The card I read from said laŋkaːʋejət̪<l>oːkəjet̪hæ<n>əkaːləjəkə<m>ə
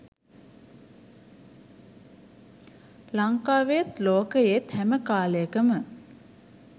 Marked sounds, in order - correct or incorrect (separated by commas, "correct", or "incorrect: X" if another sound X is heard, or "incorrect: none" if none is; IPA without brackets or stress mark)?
correct, incorrect: m, correct